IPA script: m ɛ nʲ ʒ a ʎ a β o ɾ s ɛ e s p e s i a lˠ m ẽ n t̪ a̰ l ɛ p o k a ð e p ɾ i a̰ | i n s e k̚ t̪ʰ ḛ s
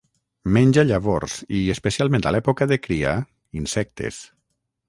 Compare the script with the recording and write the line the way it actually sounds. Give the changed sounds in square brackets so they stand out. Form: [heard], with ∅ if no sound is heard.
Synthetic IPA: m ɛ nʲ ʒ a ʎ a β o ɾ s [i] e s p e s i a lˠ m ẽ n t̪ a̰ l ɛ p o k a ð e [k] ɾ i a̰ | i n s [ɛ] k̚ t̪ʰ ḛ s